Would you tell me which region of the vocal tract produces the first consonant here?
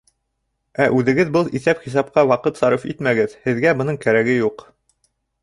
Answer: throat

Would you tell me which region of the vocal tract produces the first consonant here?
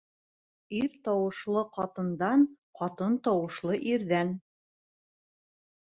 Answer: tongue tip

